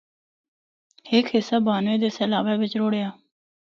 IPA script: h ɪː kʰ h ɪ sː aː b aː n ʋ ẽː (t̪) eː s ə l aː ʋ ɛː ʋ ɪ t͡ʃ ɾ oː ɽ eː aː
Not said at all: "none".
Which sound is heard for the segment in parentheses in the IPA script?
d̪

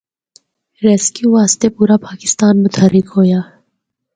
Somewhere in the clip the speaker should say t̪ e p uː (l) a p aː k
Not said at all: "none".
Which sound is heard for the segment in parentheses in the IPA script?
ɾ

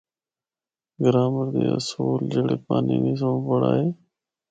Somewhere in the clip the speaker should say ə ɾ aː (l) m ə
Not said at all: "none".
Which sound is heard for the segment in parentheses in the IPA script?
none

